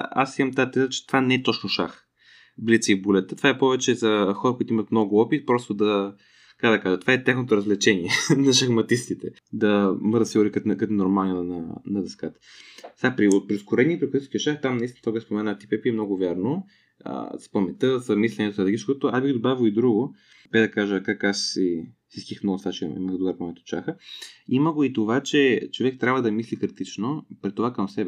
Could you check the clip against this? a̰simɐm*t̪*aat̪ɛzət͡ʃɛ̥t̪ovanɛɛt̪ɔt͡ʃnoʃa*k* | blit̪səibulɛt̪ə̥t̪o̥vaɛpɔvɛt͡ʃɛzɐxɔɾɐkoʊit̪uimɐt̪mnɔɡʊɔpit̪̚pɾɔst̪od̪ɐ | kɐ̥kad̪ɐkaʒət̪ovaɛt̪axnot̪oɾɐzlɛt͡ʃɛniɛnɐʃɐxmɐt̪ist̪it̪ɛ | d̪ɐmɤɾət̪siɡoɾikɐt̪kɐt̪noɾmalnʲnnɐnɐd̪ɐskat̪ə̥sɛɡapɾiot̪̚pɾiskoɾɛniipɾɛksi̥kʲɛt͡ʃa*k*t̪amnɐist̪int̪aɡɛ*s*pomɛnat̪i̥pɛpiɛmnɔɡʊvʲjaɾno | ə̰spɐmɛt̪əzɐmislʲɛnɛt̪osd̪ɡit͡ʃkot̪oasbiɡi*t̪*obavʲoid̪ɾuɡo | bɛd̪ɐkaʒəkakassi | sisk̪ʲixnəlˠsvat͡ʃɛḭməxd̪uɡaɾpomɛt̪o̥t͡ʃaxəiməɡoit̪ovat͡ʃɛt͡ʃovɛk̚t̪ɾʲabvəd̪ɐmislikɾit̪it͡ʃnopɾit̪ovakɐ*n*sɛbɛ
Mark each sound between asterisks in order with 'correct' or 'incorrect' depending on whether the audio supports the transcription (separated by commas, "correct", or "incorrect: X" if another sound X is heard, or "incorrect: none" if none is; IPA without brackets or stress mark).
correct, incorrect: x, incorrect: x, correct, incorrect: d̪, incorrect: m